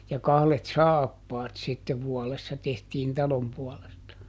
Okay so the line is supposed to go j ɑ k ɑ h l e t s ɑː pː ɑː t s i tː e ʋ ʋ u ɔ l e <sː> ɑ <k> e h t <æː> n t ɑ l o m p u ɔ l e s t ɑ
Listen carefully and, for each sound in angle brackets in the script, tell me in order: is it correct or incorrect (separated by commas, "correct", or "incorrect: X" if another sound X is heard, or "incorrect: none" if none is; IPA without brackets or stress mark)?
correct, incorrect: t, incorrect: iː